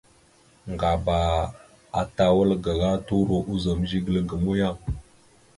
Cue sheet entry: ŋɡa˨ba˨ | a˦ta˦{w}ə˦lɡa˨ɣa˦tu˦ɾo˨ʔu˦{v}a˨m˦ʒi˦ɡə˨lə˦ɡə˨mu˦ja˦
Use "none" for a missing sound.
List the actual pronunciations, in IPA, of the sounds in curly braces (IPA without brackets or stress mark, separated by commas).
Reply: w, z